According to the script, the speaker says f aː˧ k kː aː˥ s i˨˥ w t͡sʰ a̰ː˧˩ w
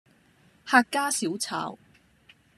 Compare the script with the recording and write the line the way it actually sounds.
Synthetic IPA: h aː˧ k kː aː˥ s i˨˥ w t͡sʰ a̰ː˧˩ w